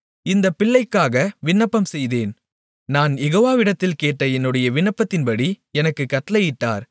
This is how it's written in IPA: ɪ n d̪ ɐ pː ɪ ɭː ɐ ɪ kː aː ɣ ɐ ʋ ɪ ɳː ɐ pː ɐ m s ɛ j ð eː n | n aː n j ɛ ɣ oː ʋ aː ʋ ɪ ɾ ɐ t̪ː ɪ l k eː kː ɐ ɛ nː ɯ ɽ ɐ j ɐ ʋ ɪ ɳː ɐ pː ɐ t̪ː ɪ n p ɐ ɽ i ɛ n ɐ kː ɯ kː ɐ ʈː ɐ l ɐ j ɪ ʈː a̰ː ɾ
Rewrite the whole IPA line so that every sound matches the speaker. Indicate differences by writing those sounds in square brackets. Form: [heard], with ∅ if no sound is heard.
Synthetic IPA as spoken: ɪ n d̪ ɐ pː ɪ ɭː ɐ ɪ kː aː ɣ ɐ ʋ ɪ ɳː ɐ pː ɐ m s ɛ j ð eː n | n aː n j ɛ ɣ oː ʋ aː ʋ ɪ [ɽ] ɐ t̪ː ɪ l k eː [ʈː] ɐ ɛ nː ɯ ɽ ɐ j ɐ ʋ ɪ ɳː ɐ pː ɐ t̪ː ɪ n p ɐ ɽ i ɛ n ɐ kː ɯ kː ɐ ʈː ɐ l ɐ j ɪ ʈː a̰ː ɾ

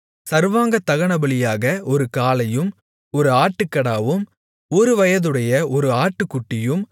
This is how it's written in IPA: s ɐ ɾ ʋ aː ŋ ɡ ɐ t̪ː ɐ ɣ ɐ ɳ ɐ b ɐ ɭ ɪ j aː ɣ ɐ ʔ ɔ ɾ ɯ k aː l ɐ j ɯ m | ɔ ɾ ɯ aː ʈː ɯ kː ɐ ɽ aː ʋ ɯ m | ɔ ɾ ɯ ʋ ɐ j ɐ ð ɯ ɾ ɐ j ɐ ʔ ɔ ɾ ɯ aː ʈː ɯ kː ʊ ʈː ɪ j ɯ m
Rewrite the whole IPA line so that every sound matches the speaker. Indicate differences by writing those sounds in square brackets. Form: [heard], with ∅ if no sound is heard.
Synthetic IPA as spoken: s ɐ ɾ ʋ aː ŋ ɡ ɐ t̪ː ɐ ɣ ɐ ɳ ɐ b ɐ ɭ ɪ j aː ɣ ɐ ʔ ɔ ɾ ɯ k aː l ɐ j ɯ m | ɔ ɾ ɯ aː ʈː ɯ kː ɐ ɽ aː ʋ ɯ m | ɔ ɾ ɯ ʋ ɐ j ɐ ð ɯ [ɽ] ɐ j ɐ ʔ ɔ ɾ ɯ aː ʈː ɯ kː ʊ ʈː ɪ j ɯ m

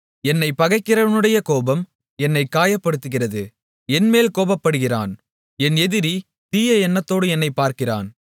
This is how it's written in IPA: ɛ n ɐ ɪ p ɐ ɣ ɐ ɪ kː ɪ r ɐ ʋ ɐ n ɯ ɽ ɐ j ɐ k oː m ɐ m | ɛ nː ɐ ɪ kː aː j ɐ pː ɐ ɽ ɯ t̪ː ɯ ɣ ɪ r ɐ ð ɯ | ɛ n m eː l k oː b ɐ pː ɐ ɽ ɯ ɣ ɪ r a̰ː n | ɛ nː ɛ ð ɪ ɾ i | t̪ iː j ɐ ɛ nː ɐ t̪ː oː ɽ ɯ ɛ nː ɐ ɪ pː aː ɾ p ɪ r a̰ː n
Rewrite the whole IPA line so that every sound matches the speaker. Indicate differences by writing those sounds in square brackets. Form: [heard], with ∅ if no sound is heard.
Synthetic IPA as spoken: ɛ [nː] ɐ ɪ p ɐ ɣ ɐ ɪ kː ɪ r ɐ ʋ ɐ n ɯ ɽ ɐ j ɐ k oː [b] ɐ m | ɛ nː ɐ ɪ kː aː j ɐ pː ɐ ɽ ɯ t̪ː ɯ ɣ ɪ r ɐ ð ɯ | ɛ n m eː l k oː b ɐ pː ɐ ɽ ɯ ɣ ɪ r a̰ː n | ɛ [n] ɛ ð ɪ ɾ i | t̪ iː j ɐ ɛ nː ɐ t̪ː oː ɽ ɯ ɛ nː ɐ ɪ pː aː ɾ [k] ɪ r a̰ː n

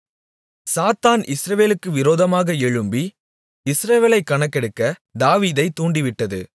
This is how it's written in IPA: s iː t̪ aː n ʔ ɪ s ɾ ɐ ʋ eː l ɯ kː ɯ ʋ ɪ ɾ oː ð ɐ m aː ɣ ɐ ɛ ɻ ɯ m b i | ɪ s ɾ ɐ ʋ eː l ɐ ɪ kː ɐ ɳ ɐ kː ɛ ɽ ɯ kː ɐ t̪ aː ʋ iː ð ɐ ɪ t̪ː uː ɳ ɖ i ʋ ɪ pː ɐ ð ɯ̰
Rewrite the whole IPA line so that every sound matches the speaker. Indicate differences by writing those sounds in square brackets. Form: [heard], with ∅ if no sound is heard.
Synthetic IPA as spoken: s [aː] t̪ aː n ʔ ɪ s ɾ ɐ ʋ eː l ɯ kː ɯ ʋ ɪ ɾ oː ð ɐ m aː ɣ ɐ ɛ ɻ ɯ m b i | ɪ s ɾ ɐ ʋ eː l ɐ ɪ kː ɐ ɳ ɐ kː ɛ ɽ ɯ kː ɐ [d̪] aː ʋ iː ð ɐ ɪ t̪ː uː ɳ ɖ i ʋ ɪ [ʈː] ɐ ð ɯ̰

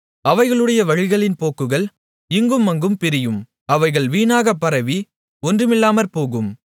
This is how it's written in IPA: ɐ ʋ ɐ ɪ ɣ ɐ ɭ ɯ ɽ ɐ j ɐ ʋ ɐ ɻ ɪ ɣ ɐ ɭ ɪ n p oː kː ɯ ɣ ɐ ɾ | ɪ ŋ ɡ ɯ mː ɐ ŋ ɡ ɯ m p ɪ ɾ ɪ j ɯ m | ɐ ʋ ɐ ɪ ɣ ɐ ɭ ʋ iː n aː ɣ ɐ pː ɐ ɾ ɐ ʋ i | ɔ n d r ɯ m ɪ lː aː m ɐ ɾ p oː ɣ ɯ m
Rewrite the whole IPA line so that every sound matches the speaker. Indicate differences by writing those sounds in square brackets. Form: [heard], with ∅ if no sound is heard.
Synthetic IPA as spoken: ɐ ʋ ɐ ɪ ɣ ɐ ɭ ɯ ɽ ɐ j ɐ ʋ ɐ ɻ ɪ ɣ ɐ ɭ ɪ n p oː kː ɯ ɣ ɐ [ɭ] | ɪ ŋ ɡ ɯ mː ɐ ŋ ɡ ɯ m p ɪ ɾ ɪ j ɯ m | ɐ ʋ ɐ ɪ ɣ ɐ ɭ ʋ iː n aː ɣ ɐ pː ɐ ɾ ɐ ʋ i | ɔ n d r ɯ m ɪ lː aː m ɐ ɾ p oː ɣ ɯ m

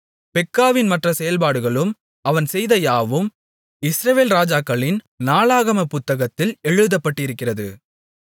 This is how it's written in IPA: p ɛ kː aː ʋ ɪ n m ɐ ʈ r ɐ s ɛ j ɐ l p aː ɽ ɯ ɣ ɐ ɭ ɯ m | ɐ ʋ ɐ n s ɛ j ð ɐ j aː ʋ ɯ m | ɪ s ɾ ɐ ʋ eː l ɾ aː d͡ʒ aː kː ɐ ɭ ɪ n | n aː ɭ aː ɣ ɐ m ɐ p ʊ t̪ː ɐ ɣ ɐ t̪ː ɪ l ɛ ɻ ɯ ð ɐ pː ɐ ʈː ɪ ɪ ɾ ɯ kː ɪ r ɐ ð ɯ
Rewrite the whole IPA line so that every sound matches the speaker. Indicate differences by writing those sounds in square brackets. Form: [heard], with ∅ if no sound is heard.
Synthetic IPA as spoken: p ɛ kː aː ʋ ɪ n m ɐ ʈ r ɐ s ɛ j ɐ l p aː ɽ ɯ ɣ ɐ ɭ ɯ m | ɐ ʋ ɐ n s ɛ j ð ɐ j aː ʋ ɯ m | ɪ s ɾ ɐ ʋ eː l ɾ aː d͡ʒ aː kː ɐ ɭ ɪ n | n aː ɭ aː ɣ ɐ m ɐ p ʊ t̪ː ɐ ɣ ɐ t̪ː ɪ l ɛ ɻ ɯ ð ɐ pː ɐ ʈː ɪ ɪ ɾ ɯ kː ɪ r ɐ ð ɯ

